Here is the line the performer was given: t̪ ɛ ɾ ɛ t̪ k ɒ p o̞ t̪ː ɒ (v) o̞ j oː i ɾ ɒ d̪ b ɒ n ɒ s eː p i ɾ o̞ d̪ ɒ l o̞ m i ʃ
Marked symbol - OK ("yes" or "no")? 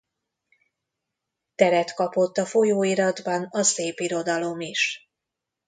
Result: no